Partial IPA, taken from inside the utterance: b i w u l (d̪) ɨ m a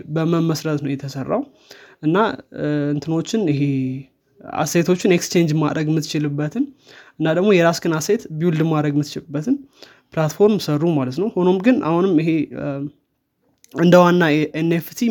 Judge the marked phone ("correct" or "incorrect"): correct